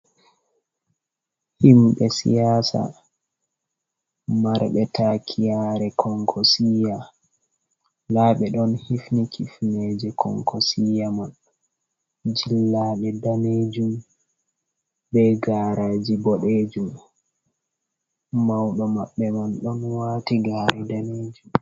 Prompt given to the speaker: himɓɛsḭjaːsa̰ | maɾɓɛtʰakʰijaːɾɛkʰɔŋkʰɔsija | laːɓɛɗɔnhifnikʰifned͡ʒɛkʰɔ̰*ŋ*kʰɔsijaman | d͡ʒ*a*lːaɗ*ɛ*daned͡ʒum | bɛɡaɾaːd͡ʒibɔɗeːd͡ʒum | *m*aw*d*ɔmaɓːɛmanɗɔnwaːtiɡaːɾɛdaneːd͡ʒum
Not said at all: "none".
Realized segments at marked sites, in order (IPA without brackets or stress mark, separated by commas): ŋ, i, ɛ, m, ɗ